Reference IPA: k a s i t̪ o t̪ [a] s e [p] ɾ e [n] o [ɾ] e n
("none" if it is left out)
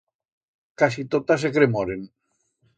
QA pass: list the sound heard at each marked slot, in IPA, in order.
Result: a, k, m, ɾ

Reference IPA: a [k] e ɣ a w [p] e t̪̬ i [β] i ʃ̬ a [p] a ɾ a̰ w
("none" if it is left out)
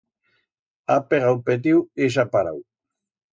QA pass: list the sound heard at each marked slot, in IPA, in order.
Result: p, p, w, p

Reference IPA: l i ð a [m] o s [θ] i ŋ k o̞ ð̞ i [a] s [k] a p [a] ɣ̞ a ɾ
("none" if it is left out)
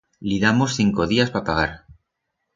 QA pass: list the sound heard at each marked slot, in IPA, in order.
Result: m, θ, a, p, a

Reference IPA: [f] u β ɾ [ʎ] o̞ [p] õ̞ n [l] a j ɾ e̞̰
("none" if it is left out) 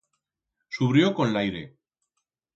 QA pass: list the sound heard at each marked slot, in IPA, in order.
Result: s, j, k, l

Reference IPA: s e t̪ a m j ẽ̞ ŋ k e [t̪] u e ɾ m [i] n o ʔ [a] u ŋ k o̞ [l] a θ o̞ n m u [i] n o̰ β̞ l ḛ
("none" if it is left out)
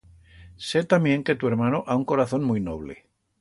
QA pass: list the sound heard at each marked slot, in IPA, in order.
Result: t̪, a, a, ɾ, j

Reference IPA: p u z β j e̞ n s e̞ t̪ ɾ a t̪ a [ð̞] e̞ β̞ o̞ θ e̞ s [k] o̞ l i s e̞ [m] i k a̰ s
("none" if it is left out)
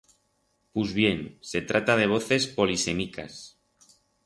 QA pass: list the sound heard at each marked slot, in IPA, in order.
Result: ð̞, p, m

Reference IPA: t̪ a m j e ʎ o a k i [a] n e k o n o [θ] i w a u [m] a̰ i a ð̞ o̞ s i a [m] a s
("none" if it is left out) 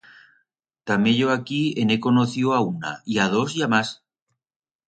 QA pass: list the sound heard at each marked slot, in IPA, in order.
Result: e, θ, n, m

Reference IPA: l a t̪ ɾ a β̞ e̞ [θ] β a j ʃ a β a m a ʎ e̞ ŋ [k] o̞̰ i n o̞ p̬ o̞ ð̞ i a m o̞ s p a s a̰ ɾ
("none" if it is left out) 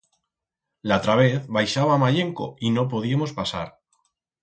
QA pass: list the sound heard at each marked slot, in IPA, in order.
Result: θ, k

